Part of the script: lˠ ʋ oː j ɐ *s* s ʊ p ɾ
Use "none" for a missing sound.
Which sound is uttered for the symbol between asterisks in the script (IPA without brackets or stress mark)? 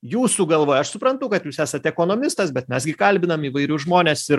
ʃ